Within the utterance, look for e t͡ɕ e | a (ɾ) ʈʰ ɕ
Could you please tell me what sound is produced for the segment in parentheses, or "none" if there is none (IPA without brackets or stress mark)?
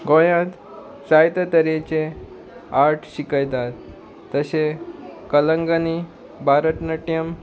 ɾ